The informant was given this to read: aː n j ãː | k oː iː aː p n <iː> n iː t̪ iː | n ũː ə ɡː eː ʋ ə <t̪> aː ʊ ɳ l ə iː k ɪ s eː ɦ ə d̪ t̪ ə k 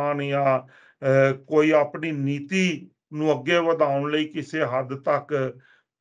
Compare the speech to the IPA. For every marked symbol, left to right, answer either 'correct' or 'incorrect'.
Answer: correct, incorrect: d̪

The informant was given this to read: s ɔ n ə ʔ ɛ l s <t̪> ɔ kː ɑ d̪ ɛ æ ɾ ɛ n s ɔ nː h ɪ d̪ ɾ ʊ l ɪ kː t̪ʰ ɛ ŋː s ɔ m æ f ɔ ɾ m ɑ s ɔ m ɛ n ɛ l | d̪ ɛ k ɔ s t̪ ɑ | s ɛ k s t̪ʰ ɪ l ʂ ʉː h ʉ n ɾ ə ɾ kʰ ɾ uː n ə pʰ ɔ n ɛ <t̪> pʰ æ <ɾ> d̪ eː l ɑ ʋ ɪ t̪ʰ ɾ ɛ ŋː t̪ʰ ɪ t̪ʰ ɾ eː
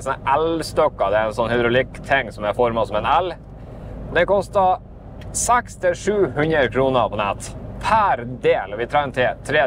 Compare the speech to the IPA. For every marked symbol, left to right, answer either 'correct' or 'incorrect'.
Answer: correct, correct, correct

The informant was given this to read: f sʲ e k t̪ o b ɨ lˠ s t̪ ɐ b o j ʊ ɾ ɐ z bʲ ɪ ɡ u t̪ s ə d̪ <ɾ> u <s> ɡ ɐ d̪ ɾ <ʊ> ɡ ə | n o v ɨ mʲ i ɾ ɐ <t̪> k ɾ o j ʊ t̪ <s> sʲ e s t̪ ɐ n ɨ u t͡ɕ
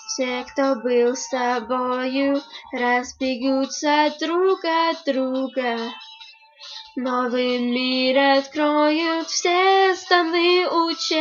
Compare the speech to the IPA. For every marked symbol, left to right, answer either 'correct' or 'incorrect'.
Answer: correct, incorrect: none, incorrect: u, correct, incorrect: f

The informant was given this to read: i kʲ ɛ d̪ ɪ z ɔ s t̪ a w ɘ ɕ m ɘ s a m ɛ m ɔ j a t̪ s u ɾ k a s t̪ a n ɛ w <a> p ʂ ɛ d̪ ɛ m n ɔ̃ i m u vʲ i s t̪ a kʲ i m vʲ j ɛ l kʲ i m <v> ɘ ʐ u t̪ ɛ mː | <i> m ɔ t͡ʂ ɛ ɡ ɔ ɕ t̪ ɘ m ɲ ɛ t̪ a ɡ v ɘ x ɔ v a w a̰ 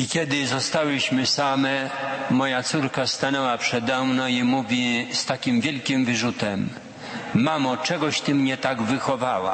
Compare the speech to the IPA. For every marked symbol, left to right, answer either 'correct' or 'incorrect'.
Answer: correct, correct, incorrect: a

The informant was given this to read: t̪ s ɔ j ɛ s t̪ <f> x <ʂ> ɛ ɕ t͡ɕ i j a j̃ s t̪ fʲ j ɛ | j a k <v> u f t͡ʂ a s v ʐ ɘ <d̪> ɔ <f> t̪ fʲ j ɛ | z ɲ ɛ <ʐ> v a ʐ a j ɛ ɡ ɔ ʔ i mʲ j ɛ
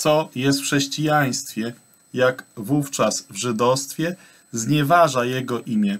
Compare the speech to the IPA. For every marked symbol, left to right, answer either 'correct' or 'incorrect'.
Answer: correct, correct, correct, correct, incorrect: s, incorrect: none

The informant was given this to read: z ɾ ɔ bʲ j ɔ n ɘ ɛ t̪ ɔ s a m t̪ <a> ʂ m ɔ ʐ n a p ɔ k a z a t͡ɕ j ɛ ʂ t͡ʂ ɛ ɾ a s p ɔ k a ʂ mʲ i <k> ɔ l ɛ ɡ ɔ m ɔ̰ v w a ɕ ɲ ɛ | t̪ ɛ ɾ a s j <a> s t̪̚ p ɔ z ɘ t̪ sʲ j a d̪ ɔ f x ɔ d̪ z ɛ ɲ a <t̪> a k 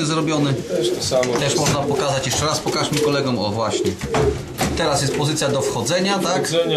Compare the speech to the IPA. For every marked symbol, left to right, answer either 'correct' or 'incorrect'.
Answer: incorrect: ɛ, correct, incorrect: ɛ, correct

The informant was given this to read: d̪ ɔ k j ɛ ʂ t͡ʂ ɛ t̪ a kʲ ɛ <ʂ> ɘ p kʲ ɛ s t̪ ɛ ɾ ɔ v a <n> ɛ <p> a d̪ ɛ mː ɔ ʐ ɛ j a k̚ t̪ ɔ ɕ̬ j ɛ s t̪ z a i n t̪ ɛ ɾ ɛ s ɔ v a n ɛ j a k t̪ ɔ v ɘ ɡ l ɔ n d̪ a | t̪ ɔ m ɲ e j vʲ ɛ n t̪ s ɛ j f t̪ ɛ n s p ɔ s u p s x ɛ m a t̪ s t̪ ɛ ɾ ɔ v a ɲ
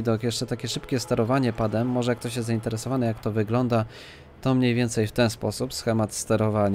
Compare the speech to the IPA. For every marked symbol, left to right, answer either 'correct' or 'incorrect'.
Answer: correct, incorrect: ɲ, correct

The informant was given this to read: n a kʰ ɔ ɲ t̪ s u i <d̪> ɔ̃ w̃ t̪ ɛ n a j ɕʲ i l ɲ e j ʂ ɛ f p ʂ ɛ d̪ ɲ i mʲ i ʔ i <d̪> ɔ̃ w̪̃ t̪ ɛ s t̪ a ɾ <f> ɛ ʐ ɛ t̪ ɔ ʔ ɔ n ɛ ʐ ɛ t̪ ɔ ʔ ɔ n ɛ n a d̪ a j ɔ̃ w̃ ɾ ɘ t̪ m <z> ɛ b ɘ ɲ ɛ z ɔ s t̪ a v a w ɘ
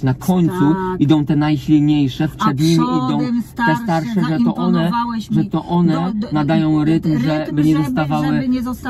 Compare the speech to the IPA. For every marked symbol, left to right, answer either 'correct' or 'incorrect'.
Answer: correct, correct, incorrect: ʂ, incorrect: ʐ

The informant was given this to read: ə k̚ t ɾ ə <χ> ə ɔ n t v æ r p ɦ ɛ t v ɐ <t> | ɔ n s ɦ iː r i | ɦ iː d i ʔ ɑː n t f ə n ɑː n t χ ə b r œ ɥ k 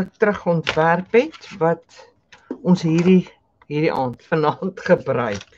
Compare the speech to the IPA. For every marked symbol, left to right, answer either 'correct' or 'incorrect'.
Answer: correct, correct

